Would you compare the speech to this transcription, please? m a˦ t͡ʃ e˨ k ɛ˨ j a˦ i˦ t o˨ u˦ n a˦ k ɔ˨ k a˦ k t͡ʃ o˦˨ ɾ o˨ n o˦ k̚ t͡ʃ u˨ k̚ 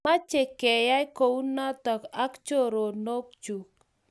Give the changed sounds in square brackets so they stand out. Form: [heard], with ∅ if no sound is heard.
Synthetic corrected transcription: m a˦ t͡ʃ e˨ k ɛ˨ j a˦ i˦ [k] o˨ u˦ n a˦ [t] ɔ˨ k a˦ k t͡ʃ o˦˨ ɾ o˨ n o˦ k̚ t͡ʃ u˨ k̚